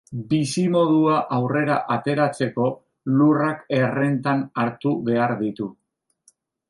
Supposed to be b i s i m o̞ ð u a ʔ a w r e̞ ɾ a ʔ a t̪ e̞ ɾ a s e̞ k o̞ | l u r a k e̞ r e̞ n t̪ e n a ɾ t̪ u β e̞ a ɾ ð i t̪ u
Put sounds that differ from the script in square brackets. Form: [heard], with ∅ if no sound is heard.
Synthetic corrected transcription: b i s i m o̞ ð u a ʔ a w r e̞ ɾ a ʔ a t̪ e̞ ɾ a [t͡s] e̞ k o̞ | l u r a k e̞ r e̞ n t̪ [a] n a ɾ t̪ u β e̞ a ɾ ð i t̪ u